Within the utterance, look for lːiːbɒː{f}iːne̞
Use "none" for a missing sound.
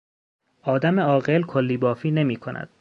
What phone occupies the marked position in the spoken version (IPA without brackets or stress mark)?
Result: f